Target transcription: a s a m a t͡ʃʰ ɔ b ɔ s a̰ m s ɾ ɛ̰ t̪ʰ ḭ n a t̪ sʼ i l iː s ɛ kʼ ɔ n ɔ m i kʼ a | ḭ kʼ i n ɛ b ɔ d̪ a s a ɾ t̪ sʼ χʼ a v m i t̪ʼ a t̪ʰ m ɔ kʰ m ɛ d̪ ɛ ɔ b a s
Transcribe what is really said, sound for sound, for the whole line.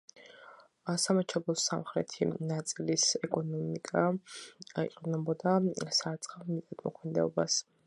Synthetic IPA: a s a m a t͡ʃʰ ɔ b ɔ s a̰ m χ ɾ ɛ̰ t̪ʰ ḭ n a t̪ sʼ i l i s ɛ kʼ ɔ n ɔ m i kʼ a | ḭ qʼ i n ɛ b ɔ d̪ a s a ɾ t̪ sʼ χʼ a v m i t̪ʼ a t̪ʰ m ɔ kʰ m ɛ d̪ ɛ ɔ b a s